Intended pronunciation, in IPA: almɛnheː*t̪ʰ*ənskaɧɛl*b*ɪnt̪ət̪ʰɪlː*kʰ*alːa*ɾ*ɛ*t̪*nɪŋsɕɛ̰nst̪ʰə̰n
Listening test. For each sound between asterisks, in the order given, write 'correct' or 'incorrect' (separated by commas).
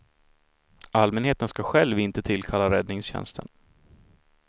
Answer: incorrect, incorrect, correct, correct, incorrect